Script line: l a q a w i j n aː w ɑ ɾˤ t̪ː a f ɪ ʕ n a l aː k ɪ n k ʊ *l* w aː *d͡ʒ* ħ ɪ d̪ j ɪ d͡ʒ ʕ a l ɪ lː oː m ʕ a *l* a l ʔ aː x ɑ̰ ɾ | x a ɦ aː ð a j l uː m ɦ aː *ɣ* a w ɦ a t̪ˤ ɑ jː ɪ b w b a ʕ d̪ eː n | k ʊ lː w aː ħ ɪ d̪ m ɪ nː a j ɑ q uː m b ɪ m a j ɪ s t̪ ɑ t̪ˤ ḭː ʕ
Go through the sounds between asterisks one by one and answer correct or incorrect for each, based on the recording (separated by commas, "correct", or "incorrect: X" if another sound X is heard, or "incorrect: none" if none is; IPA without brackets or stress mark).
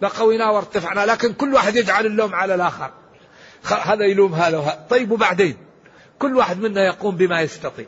incorrect: lː, incorrect: none, correct, incorrect: ð